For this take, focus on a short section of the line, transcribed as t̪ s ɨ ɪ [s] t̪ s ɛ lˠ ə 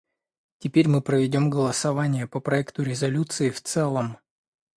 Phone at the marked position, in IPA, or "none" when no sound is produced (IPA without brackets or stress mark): f